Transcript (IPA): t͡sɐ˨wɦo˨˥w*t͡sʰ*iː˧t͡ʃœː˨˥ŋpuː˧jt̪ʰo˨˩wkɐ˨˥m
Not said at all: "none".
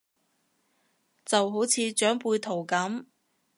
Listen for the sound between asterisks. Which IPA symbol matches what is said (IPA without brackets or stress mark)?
t͡sʰ